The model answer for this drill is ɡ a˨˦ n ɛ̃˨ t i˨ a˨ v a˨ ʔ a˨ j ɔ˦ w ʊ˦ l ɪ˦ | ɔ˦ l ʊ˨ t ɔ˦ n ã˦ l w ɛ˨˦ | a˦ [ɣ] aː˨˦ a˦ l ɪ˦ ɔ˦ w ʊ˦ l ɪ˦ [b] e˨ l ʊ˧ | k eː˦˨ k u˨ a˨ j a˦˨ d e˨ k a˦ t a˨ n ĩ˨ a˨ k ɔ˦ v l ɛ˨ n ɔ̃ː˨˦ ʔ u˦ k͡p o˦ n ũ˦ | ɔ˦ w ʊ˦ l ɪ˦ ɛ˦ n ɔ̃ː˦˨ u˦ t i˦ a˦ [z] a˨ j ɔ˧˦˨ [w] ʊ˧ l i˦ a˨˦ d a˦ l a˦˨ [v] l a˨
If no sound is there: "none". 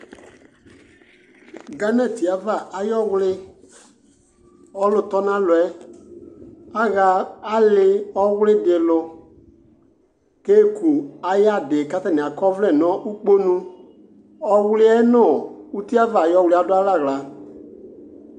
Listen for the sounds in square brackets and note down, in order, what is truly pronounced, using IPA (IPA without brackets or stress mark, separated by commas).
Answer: ɣ, d, v, w, ɣ